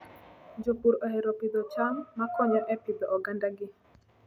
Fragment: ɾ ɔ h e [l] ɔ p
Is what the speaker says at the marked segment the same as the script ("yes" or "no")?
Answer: no